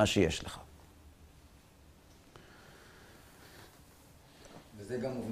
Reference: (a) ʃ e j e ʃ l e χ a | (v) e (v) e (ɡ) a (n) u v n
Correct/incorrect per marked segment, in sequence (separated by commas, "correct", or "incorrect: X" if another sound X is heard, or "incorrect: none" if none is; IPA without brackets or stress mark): correct, correct, incorrect: z, correct, incorrect: m